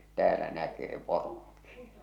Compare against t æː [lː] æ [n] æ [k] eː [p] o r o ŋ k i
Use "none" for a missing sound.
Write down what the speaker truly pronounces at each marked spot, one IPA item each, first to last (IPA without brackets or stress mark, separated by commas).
l, n, k, p